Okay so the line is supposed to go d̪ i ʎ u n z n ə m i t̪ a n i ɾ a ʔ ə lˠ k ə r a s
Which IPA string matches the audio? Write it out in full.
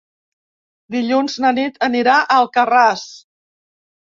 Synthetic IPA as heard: d̪ i ʎ u n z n ə n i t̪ ə n i ɾ a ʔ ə lˠ k ə r a s